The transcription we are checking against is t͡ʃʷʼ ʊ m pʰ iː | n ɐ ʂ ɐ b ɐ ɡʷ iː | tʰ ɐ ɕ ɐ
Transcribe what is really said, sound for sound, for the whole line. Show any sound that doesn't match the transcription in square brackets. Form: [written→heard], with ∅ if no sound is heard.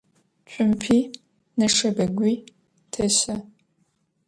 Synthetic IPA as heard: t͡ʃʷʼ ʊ m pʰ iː | n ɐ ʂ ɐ b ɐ ɡʷ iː | tʰ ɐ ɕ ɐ

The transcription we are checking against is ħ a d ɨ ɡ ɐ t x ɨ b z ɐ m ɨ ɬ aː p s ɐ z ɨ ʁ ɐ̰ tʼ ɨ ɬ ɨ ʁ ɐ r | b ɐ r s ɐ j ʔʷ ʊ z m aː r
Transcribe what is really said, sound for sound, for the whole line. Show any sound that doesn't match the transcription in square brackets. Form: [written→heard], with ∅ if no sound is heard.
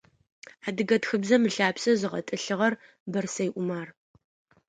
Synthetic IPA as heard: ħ a d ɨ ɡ ɐ t x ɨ b z ɐ m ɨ ɬ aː p s ɐ z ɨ ʁ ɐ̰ tʼ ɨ ɬ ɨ ʁ ɐ r | b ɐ r s ɐ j ʔʷ ʊ [z→∅] m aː r

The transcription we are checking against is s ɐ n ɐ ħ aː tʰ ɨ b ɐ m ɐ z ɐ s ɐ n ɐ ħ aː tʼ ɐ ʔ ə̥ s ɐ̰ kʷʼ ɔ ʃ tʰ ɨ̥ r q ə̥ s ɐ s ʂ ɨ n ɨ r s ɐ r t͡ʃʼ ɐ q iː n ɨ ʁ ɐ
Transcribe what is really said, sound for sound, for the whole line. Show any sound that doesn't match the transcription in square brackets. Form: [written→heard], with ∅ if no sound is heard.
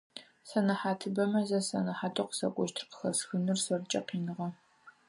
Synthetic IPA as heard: s ɐ n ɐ ħ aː tʰ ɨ b ɐ m ɐ z ɐ s ɐ n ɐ ħ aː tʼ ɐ [ʔ→q] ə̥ s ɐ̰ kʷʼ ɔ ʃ tʰ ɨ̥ r q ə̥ [s→x] ɐ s [ʂ→x] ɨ n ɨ r s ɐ r t͡ʃʼ ɐ q iː n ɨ ʁ ɐ

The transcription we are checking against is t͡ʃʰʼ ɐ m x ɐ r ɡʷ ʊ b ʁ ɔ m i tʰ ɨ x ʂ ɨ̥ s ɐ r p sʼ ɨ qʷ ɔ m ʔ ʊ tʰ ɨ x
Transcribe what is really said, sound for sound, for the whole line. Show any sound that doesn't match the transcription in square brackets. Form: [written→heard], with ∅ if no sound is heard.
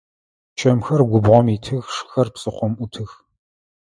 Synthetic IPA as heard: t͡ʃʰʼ ɐ m x ɐ r ɡʷ ʊ b ʁ ɔ m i tʰ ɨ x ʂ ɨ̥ [s→x] ɐ r p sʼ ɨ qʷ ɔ m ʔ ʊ tʰ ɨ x

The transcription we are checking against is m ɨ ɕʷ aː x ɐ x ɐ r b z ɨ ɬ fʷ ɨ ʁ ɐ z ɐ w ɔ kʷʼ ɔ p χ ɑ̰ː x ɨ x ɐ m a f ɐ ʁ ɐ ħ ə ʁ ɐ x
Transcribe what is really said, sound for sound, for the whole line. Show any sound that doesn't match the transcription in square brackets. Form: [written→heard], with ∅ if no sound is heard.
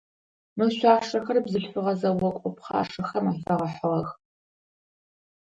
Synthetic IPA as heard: m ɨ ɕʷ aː [x→ʂ] ɐ x ɐ r b z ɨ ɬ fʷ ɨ ʁ ɐ z ɐ w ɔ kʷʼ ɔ p χ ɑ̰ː [x→ʂ] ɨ x ɐ m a f ɐ ʁ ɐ ħ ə ʁ ɐ x

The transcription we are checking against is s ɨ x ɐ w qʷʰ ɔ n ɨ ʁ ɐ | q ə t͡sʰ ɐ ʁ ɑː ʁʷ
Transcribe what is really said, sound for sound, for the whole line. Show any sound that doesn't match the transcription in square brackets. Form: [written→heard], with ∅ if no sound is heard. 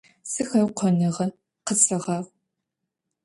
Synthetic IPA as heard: s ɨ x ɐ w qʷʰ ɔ n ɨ ʁ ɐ | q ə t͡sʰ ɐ ʁ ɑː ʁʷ

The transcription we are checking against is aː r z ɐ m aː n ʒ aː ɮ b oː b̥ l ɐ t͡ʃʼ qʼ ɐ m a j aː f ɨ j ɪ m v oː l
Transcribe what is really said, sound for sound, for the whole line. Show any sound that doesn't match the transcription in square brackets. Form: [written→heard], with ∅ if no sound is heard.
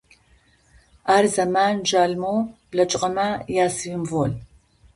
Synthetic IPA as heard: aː r z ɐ m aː n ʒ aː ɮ [b→m] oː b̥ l ɐ t͡ʃʼ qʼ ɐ m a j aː [f→s] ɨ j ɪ m v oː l

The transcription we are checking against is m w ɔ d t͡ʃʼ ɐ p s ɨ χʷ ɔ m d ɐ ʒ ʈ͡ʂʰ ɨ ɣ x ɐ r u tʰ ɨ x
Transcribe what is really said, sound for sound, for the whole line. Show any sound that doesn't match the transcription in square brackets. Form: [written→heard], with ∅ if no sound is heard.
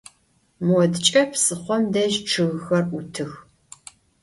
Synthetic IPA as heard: m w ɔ d t͡ʃʼ ɐ p s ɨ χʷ ɔ m d ɐ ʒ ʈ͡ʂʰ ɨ ɣ x ɐ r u tʰ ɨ x

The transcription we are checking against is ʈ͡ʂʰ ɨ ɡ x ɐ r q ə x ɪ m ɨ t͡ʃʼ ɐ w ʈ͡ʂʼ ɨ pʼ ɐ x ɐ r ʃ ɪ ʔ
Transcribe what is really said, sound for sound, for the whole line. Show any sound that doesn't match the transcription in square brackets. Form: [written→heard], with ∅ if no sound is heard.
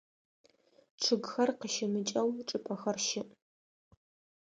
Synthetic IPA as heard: ʈ͡ʂʰ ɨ ɡ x ɐ r q ə [x→ʃ] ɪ m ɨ t͡ʃʼ ɐ w ʈ͡ʂʼ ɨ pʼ ɐ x ɐ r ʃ ɪ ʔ

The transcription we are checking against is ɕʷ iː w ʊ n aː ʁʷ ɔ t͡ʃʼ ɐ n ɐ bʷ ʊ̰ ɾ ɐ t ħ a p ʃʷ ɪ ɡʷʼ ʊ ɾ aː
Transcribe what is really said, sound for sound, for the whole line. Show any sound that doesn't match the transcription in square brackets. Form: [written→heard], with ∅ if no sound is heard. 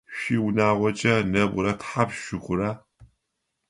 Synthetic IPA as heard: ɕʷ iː w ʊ n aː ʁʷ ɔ t͡ʃʼ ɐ n ɐ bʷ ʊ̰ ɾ ɐ t ħ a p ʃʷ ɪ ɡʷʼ ʊ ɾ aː

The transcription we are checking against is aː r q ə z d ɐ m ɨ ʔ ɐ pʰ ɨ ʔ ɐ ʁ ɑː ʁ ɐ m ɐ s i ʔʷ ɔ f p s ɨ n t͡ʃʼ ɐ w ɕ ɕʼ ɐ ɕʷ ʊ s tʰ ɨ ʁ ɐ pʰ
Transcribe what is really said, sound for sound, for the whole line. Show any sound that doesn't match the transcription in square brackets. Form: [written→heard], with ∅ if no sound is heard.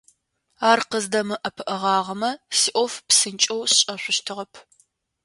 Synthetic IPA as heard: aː r q ə z d ɐ m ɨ ʔ ɐ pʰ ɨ ʔ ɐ ʁ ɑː ʁ ɐ m ɐ s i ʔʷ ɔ f p s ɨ n t͡ʃʼ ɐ w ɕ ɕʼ ɐ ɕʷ ʊ [s→ʃ] tʰ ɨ ʁ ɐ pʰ

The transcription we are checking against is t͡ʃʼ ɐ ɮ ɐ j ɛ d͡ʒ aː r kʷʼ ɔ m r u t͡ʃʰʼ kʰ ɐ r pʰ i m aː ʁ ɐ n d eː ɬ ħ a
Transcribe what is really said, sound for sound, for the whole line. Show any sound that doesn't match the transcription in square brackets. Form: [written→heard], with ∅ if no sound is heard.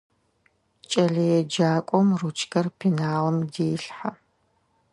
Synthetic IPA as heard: t͡ʃʼ ɐ ɮ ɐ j ɛ d͡ʒ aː [r→∅] kʷʼ ɔ m r u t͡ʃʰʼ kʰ ɐ r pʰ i [m→n] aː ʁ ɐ [n→m] d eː ɬ ħ a

